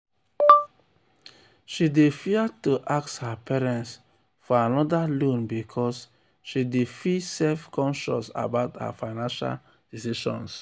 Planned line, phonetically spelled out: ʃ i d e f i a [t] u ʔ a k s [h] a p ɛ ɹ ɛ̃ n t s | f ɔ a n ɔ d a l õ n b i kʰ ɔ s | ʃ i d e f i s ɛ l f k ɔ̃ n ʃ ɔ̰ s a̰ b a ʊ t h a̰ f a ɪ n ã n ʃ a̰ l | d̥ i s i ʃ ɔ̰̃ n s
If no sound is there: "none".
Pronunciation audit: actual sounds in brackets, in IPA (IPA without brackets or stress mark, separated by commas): t, h